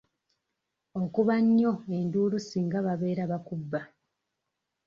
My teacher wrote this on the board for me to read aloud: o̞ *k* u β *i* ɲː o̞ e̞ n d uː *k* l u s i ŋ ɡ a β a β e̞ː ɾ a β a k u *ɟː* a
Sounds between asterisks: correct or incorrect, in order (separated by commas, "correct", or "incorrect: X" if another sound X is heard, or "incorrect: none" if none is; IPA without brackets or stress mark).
correct, incorrect: a, incorrect: none, incorrect: bː